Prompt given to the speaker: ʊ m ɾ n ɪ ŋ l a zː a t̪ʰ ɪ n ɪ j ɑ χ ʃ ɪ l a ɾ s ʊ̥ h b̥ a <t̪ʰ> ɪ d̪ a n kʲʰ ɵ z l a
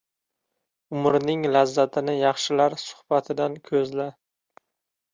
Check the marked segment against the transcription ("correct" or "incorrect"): correct